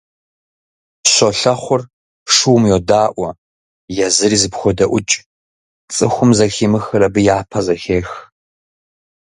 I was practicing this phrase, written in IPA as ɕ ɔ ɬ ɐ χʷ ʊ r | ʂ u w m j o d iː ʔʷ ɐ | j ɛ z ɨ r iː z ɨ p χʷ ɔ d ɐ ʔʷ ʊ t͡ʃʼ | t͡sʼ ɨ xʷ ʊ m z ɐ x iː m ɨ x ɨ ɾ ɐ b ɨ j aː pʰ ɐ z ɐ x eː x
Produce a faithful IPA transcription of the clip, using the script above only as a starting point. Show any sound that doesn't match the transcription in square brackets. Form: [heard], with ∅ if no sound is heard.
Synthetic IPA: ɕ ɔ ɬ ɐ χʷ ʊ r | ʂ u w m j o d [aː] ʔʷ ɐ | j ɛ z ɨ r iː z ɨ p [xʷ] ɔ d ɐ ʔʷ ʊ t͡ʃʼ | t͡sʼ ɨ xʷ ʊ m z ɐ x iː m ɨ x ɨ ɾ ɐ b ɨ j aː pʰ ɐ z ɐ x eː x